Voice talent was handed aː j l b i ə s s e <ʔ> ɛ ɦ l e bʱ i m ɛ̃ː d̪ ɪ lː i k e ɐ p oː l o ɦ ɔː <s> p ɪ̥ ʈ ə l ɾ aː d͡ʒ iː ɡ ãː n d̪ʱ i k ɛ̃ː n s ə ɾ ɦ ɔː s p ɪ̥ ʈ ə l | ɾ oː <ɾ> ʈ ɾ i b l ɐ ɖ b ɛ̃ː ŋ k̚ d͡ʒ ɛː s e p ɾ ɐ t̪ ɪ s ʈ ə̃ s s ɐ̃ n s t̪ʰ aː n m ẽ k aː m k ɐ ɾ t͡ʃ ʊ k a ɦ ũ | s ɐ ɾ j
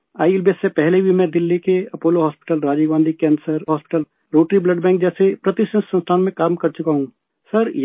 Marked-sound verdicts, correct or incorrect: incorrect: p, correct, incorrect: none

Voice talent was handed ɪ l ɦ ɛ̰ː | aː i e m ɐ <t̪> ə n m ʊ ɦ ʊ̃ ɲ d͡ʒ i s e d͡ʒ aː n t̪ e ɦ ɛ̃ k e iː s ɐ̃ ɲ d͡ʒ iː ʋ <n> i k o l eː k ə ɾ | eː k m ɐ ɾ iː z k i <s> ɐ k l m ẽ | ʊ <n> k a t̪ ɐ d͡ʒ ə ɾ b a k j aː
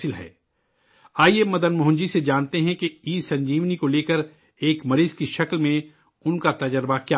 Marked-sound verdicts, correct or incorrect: incorrect: d̪, correct, incorrect: ʃ, correct

